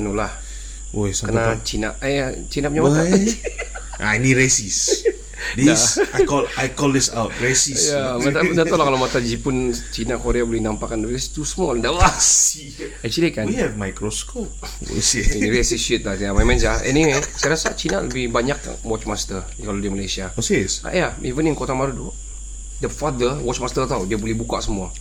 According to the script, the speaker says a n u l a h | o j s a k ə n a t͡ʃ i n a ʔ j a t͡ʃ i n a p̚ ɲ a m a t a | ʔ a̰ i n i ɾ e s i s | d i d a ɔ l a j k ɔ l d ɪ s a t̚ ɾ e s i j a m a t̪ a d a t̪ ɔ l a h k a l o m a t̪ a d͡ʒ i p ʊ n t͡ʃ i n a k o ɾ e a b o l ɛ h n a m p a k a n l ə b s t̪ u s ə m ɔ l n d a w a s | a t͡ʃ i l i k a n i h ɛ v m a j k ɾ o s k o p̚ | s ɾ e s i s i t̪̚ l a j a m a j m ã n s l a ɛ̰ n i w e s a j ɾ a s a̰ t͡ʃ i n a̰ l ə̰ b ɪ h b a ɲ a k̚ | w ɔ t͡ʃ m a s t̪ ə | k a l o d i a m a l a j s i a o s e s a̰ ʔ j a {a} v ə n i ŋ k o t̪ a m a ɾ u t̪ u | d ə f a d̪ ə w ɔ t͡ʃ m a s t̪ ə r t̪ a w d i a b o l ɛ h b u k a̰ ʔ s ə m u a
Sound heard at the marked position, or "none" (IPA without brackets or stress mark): i